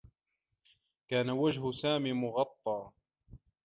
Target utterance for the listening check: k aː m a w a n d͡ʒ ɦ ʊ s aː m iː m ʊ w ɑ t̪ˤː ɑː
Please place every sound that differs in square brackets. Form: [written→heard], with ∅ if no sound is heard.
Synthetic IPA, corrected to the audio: k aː [m→n] a w a [n→∅] d͡ʒ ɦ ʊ s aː m iː m ʊ [w→ɣ] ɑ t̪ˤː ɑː